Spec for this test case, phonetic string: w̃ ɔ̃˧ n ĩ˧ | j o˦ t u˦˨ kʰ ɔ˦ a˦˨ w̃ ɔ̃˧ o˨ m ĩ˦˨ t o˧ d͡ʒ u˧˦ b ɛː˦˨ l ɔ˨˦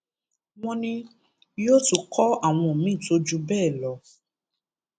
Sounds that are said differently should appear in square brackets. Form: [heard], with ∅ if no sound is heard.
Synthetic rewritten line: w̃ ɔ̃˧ n ĩ˧ | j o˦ t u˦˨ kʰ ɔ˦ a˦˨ w̃ ɔ̃˧ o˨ m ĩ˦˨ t o˧ d͡ʒ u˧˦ b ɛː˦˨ l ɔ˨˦